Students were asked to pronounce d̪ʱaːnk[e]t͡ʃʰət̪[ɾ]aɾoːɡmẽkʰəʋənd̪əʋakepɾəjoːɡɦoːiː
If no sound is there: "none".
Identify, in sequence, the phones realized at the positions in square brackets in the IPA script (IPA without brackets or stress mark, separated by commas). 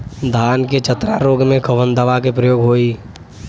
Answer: e, ɾ